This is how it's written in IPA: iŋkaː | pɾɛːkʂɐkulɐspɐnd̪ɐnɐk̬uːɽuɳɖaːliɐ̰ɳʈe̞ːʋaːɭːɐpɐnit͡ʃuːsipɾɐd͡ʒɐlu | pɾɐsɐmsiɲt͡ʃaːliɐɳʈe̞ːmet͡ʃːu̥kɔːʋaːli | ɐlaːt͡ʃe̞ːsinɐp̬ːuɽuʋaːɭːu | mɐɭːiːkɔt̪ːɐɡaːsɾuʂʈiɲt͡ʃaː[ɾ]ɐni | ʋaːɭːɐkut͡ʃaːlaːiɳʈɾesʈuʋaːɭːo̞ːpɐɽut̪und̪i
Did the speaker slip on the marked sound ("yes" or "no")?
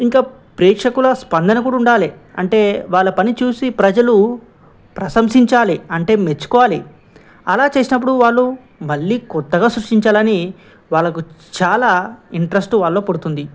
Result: yes